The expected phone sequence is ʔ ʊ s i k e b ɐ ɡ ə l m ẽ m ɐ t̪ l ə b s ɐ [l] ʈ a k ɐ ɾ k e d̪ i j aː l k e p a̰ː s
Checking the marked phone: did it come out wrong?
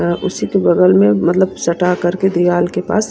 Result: yes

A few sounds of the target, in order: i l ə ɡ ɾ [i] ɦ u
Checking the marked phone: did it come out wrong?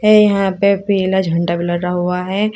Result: yes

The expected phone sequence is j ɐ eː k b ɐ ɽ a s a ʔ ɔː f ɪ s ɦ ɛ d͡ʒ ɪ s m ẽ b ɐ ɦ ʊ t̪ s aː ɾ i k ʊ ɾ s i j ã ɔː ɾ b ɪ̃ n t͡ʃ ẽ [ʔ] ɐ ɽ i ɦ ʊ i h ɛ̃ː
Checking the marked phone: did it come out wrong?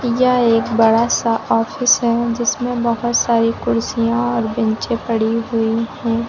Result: yes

